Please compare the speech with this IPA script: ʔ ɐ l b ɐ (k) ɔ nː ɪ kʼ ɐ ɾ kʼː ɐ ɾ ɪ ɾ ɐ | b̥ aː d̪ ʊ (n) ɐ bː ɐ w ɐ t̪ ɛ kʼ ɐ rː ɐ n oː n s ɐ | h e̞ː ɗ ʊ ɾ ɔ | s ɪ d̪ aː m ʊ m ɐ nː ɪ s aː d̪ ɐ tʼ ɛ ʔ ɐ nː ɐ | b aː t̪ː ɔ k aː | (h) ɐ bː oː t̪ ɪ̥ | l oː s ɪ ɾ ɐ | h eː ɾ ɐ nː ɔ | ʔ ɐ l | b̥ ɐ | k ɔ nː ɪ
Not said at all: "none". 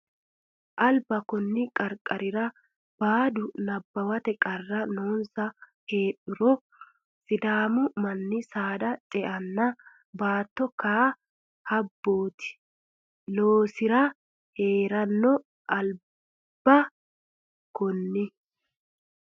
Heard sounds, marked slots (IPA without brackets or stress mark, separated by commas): k, n, h